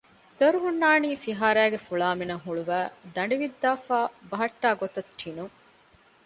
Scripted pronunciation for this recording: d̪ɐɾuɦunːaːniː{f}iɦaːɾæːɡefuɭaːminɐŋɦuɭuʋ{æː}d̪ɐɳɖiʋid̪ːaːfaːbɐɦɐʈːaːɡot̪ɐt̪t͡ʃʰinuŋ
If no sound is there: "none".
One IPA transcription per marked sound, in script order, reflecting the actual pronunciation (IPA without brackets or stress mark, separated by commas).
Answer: f, æː